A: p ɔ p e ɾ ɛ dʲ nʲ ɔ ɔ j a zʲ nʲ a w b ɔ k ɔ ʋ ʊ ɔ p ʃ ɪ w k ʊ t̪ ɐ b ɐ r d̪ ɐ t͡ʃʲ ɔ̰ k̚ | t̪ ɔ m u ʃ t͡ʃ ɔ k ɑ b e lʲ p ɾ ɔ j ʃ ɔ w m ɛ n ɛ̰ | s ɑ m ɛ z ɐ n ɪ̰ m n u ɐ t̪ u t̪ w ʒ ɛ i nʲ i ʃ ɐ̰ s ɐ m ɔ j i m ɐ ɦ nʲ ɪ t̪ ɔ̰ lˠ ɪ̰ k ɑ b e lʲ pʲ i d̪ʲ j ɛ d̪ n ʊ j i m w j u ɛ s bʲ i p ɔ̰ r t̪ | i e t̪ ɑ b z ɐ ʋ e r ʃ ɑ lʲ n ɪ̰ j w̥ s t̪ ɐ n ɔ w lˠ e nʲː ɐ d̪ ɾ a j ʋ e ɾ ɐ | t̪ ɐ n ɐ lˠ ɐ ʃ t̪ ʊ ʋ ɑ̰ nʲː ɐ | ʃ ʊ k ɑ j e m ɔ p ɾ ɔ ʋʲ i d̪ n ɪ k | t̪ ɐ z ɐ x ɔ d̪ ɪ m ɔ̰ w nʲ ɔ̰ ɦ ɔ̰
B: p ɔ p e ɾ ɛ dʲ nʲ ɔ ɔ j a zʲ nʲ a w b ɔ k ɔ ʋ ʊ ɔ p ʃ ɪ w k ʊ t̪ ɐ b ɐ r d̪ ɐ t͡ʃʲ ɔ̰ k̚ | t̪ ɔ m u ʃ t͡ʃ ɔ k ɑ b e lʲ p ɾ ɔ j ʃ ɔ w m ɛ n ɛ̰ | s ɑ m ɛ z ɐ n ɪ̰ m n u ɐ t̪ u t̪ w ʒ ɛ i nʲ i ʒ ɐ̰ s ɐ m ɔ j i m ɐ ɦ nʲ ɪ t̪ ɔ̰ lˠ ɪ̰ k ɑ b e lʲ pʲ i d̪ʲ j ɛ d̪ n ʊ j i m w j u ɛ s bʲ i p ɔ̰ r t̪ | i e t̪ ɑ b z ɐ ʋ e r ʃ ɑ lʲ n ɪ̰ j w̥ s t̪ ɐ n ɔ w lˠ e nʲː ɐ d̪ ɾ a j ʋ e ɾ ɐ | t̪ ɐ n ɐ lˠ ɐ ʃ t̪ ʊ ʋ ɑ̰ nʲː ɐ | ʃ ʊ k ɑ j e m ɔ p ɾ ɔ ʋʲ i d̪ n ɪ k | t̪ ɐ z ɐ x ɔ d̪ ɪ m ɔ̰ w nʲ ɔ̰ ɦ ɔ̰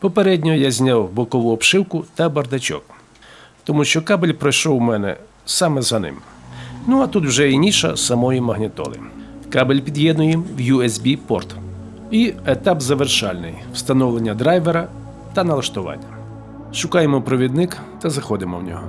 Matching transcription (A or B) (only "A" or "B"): A